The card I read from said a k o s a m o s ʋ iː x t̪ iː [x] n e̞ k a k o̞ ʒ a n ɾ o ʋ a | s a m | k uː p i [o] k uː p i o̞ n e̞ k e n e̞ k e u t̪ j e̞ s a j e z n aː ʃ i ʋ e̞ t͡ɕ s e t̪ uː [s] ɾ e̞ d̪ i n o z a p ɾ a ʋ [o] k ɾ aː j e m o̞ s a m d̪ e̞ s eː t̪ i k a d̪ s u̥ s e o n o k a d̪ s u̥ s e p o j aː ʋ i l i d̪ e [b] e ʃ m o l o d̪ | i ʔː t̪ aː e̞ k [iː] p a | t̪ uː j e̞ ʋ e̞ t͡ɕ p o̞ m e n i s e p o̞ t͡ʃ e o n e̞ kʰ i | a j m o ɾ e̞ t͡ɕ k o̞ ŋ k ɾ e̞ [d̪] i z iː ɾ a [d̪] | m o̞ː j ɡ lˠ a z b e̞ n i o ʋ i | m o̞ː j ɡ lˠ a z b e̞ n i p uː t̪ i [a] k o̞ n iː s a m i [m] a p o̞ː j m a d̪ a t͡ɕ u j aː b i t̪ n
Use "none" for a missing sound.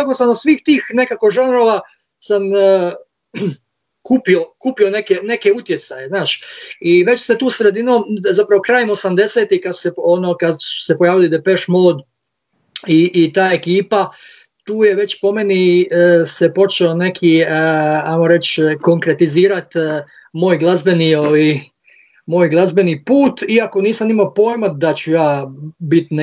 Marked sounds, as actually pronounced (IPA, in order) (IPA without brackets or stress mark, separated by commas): x, o, s, o, p, iː, t̪, t̪, a, m